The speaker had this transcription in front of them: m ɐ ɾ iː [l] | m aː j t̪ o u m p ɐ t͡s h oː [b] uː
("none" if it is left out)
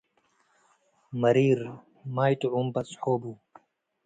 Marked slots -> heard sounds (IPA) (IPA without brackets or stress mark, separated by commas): ɾ, b